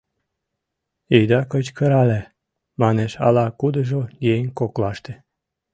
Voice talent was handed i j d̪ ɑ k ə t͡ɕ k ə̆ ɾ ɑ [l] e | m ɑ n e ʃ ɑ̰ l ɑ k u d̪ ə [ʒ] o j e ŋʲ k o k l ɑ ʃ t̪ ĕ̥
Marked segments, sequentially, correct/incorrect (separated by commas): correct, correct